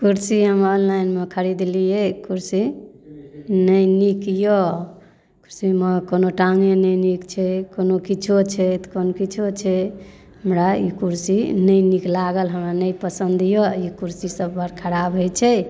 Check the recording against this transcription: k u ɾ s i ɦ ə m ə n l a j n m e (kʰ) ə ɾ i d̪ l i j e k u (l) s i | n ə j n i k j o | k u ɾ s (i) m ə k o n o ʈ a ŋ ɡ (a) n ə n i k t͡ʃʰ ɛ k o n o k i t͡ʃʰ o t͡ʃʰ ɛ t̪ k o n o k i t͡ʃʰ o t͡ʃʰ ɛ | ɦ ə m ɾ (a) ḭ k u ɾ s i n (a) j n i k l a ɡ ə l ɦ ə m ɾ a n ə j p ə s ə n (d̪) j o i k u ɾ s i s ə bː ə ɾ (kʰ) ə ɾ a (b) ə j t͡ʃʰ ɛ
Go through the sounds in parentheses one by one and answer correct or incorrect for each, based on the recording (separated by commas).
correct, incorrect, correct, incorrect, correct, incorrect, correct, correct, correct